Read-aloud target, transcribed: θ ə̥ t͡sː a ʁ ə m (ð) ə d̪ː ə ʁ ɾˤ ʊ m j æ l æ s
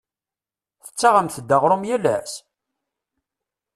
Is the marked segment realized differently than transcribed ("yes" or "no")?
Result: yes